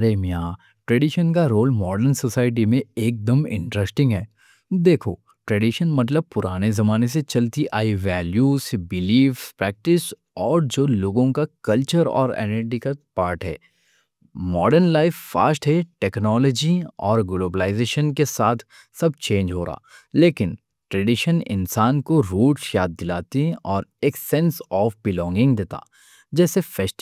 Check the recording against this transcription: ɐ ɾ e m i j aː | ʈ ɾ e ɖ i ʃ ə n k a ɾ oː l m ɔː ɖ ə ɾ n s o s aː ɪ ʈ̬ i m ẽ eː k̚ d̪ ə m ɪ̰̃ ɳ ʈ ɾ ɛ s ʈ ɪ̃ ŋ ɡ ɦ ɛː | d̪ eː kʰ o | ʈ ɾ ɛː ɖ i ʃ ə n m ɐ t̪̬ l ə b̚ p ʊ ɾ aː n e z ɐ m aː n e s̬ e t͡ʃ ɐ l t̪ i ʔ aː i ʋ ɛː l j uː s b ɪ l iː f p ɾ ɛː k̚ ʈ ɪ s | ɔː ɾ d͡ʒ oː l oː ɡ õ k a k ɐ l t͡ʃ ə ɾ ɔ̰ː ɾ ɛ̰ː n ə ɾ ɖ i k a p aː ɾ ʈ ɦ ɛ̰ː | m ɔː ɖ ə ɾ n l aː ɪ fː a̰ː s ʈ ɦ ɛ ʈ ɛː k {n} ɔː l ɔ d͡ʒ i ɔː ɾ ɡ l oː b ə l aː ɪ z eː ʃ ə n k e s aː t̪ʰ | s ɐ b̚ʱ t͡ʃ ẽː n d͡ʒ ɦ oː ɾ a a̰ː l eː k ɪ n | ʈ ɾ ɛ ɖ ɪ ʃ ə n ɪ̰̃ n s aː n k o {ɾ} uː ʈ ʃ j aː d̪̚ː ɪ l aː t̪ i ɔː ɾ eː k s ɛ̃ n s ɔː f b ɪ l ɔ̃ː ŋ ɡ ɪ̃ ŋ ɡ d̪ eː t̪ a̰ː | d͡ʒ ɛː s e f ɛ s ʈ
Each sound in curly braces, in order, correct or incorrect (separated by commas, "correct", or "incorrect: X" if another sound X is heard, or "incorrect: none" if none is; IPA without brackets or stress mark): correct, correct